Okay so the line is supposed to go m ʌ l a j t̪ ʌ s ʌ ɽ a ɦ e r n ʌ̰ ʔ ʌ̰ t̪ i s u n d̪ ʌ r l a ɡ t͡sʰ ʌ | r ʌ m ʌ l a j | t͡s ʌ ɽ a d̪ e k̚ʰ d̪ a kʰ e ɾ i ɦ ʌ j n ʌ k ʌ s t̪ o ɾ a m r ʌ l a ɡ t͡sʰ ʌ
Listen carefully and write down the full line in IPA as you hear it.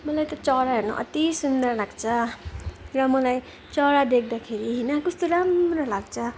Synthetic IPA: m ʌ l a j t̪ ʌ t͡s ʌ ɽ a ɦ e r n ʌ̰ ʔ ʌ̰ t̪ i s u n d̪ ʌ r l a ɡ t͡sʰ ʌ | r ʌ m ʌ l a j | t͡s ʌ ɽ a d̪ e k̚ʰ d̪ a kʰ e ɾ i ɦ ʌ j n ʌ k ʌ s t̪ o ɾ a m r ʌ l a ɡ t͡sʰ ʌ